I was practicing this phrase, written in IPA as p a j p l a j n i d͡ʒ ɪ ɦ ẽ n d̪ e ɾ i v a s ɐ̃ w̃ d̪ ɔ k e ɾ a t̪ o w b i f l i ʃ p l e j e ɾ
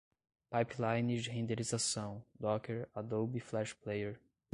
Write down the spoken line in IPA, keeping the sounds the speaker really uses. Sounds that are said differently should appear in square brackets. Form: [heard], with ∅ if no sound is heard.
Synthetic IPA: p a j p l a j n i d͡ʒ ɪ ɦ ẽ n d̪ e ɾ i [z] a s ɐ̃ w̃ d̪ ɔ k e ɾ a [d̪] o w b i f l [ɛ] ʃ p l e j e ɾ